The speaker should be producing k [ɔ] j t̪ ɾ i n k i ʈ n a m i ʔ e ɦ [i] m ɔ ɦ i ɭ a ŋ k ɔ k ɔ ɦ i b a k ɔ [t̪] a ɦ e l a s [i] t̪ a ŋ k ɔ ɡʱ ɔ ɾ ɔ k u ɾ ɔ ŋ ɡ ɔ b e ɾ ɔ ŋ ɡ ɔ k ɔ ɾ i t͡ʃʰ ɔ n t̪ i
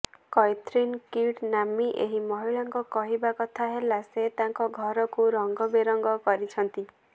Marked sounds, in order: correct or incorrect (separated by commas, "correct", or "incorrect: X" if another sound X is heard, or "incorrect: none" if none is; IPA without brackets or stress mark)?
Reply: correct, correct, incorrect: t̪ʰ, incorrect: e